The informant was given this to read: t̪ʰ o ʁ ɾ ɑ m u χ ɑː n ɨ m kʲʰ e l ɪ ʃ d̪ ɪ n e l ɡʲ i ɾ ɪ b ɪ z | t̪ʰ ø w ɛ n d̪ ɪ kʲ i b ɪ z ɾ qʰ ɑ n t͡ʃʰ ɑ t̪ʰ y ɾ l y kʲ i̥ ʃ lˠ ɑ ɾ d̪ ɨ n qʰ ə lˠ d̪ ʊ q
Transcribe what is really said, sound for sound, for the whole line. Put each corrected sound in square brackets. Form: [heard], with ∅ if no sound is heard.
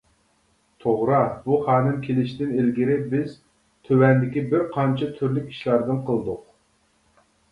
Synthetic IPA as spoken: t̪ʰ o ʁ ɾ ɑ [b] u χ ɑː n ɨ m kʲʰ e l ɪ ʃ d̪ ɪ n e l ɡʲ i ɾ ɪ b ɪ z | t̪ʰ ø w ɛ n d̪ ɪ kʲ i b ɪ [∅] ɾ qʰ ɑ n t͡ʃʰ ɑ t̪ʰ y ɾ l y kʲ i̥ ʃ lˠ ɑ ɾ d̪ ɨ n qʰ ə lˠ d̪ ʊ q